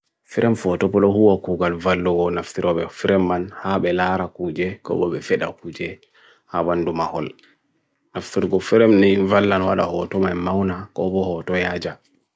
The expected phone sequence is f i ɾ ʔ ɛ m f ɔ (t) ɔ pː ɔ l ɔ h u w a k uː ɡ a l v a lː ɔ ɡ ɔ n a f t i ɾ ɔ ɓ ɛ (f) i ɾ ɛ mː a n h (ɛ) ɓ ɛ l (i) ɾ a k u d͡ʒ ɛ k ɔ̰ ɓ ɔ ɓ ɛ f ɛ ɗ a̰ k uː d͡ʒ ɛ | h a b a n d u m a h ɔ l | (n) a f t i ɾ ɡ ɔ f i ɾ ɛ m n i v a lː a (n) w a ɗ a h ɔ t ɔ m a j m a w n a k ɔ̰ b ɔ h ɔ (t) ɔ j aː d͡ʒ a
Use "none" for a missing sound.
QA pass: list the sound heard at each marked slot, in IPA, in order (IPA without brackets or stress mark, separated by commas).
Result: t, f, a, a, n, n, t